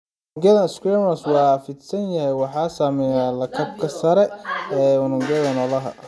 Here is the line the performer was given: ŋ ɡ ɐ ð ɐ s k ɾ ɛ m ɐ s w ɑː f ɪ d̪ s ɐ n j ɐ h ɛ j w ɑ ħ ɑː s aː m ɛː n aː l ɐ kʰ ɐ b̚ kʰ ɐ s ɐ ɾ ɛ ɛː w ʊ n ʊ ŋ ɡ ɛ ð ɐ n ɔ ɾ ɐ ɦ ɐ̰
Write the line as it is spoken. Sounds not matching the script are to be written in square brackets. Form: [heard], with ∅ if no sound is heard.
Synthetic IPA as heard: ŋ ɡ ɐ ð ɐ s k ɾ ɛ m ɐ s w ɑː f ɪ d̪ s ɐ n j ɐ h ɛ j w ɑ ħ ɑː s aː m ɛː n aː l ɐ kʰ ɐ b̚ kʰ ɐ s ɐ ɾ ɛ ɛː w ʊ n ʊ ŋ ɡ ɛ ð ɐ n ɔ [l] ɐ ɦ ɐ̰